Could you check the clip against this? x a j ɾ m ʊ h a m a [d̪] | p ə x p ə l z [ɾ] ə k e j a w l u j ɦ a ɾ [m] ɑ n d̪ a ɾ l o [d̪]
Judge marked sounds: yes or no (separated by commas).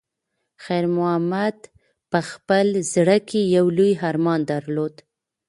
yes, no, yes, yes